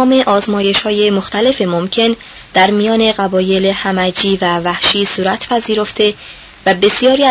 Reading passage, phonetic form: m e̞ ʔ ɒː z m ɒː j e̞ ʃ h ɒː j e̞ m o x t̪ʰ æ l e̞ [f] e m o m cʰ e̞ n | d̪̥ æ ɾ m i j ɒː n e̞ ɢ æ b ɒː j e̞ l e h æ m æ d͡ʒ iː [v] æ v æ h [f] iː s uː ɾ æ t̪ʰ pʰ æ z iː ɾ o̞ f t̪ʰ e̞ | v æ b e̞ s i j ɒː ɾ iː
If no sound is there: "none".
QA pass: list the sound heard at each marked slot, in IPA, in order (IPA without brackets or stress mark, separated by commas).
f, v, ʃ